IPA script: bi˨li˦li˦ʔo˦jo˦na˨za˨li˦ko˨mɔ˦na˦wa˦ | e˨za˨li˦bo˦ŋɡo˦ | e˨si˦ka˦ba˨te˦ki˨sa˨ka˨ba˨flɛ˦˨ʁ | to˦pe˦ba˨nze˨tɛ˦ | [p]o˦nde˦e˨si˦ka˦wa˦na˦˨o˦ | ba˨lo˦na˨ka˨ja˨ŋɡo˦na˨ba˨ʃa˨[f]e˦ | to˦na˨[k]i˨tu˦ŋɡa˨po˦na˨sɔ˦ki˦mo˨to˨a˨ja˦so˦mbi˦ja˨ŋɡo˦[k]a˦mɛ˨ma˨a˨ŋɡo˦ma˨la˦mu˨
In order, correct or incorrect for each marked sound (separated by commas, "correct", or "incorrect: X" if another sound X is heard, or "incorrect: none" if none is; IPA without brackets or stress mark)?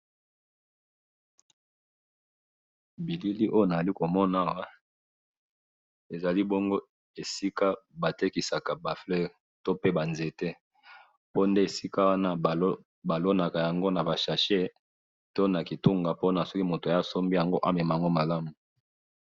correct, incorrect: ʃ, correct, incorrect: ʔ